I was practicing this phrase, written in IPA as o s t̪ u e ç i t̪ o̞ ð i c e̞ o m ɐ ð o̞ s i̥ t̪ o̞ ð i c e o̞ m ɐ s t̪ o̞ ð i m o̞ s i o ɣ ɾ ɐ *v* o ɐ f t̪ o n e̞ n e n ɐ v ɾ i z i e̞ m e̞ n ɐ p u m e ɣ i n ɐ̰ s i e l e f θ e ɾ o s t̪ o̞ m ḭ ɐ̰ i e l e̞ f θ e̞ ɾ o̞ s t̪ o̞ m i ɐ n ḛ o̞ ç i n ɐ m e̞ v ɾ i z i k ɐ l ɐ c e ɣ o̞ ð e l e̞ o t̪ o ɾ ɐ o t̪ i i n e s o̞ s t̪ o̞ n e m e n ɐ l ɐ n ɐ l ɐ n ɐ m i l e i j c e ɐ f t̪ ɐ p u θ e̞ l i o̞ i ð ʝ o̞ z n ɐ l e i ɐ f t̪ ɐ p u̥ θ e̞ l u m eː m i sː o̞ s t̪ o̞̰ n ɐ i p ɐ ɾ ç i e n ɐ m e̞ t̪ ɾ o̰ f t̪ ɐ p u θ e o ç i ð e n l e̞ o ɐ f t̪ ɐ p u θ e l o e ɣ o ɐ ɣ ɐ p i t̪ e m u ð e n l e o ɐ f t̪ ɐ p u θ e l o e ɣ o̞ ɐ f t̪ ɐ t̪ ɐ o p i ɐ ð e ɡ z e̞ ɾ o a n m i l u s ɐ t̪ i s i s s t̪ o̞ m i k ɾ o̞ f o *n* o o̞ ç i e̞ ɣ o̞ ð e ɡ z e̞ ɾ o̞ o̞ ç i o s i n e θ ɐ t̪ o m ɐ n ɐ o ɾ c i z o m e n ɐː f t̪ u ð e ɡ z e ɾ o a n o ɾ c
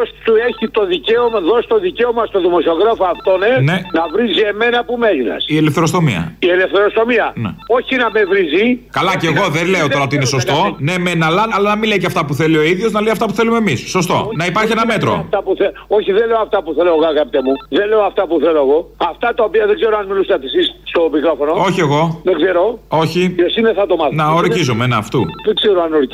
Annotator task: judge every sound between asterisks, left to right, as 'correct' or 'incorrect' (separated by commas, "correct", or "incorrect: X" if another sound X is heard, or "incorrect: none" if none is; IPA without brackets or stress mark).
incorrect: f, correct